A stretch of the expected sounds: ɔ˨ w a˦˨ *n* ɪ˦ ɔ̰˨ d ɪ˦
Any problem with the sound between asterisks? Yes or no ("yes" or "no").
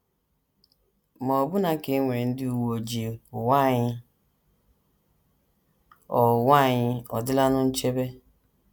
yes